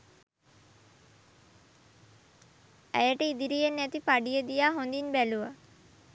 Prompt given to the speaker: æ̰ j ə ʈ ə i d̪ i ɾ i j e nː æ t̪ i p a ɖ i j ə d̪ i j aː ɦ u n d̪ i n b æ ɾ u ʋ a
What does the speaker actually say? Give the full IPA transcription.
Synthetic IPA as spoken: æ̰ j ə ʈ ə i d̪ i ɾ i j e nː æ t̪ i p a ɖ i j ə d̪ i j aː ɦ o n d̪ i n b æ l u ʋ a